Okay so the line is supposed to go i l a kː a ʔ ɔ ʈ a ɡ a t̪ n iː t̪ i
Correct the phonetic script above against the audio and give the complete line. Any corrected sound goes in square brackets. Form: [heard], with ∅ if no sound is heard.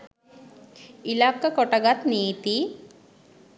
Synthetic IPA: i l a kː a [k] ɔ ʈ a ɡ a t̪ n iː t̪ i